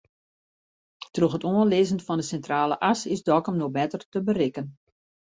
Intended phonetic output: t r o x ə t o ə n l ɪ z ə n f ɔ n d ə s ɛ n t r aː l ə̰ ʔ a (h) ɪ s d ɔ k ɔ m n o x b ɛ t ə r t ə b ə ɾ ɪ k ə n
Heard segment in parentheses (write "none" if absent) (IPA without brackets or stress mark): s